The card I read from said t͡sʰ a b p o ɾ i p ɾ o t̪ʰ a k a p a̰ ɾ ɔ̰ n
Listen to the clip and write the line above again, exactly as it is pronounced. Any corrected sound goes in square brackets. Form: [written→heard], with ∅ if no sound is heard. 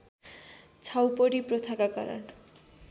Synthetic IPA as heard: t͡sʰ a [b→w] p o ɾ i p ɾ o t̪ʰ a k a [p→k] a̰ ɾ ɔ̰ n